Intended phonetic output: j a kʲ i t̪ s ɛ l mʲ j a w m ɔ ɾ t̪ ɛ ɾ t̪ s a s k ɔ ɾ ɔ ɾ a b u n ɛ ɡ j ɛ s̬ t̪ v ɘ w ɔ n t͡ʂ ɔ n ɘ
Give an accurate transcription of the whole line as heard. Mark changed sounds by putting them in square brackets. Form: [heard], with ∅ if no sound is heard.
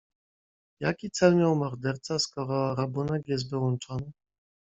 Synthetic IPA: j a kʲ i t̪ s ɛ l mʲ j a w m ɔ ɾ [d̪] ɛ ɾ t̪ s a s k ɔ ɾ ɔ ɾ a b u n ɛ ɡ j ɛ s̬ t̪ v ɘ w ɔ n t͡ʂ ɔ n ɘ